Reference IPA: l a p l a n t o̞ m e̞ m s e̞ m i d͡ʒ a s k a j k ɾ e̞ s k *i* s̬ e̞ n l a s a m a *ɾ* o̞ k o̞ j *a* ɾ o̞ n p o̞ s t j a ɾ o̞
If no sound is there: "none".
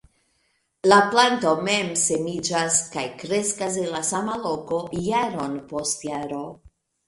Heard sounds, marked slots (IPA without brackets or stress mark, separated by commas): a, l, a